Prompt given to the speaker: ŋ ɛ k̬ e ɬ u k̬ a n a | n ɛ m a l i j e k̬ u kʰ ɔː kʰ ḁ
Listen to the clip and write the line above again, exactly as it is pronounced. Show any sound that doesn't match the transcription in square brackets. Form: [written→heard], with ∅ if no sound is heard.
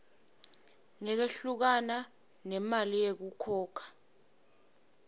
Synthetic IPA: ŋ ɛ k̬ e ɬ u k̬ a n a | n ɛ m a l i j e k̬ u kʰ ɔː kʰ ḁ